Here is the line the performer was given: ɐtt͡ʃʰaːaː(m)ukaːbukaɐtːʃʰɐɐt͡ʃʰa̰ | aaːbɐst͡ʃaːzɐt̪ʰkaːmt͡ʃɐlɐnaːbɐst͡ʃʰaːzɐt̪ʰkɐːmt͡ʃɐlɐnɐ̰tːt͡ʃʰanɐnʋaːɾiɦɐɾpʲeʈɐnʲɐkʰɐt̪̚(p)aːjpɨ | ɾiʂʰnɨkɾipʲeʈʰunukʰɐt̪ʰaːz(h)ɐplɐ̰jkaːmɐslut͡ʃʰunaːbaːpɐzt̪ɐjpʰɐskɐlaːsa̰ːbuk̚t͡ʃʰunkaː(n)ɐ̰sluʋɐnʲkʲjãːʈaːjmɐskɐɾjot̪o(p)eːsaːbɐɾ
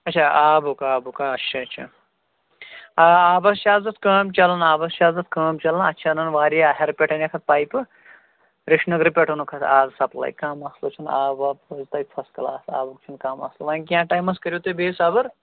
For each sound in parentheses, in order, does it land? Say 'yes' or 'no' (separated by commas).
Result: no, yes, no, no, no